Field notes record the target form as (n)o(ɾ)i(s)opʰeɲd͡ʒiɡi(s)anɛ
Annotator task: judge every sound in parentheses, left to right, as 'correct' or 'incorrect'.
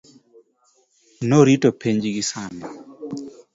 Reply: correct, correct, incorrect: t, correct

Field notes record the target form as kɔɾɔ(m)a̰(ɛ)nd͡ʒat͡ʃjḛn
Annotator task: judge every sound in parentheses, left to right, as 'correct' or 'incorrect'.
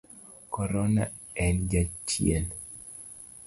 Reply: incorrect: n, correct

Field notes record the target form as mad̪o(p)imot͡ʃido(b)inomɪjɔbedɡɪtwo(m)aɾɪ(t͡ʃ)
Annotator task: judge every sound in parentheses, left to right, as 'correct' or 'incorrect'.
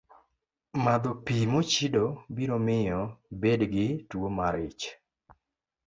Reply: correct, correct, correct, correct

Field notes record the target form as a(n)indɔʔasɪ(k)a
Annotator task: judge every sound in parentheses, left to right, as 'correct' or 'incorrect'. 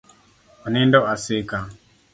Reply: correct, correct

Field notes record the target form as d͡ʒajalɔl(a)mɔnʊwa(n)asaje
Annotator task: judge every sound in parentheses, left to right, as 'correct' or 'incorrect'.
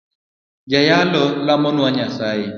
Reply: correct, incorrect: ɲ

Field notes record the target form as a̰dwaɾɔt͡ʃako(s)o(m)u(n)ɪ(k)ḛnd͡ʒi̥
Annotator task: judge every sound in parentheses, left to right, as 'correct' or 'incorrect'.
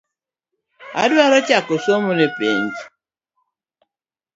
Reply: correct, correct, correct, incorrect: p

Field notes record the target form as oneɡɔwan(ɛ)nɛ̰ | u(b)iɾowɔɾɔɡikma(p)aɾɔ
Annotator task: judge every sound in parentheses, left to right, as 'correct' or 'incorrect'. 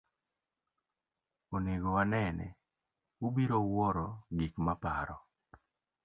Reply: correct, correct, correct

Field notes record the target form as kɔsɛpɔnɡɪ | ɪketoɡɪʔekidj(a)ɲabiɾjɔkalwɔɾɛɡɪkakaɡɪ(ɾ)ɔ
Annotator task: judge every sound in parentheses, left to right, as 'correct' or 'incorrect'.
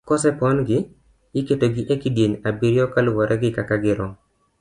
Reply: incorrect: e, correct

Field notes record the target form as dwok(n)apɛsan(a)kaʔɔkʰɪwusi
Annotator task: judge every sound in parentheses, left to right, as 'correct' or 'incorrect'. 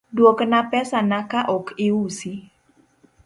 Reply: correct, correct

